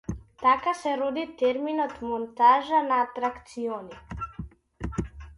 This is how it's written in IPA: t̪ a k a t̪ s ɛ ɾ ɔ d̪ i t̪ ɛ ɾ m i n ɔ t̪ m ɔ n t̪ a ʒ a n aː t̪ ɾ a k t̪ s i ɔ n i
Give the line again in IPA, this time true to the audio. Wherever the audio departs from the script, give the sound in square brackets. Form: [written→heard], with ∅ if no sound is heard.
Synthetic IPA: t̪ a k a [t̪→∅] s ɛ ɾ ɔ d̪ i t̪ ɛ ɾ m i n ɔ t̪ m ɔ n t̪ a ʒ a n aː t̪ ɾ a k t̪ s i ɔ n i